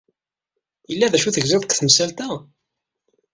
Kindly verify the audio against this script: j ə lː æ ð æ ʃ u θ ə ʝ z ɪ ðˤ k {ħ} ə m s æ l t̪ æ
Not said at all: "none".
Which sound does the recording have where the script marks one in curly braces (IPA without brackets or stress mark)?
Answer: θ